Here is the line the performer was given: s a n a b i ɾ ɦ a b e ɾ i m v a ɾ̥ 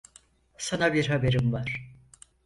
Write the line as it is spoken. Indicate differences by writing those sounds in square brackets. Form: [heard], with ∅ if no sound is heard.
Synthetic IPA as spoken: s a n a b i ɾ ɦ a b e ɾ i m v a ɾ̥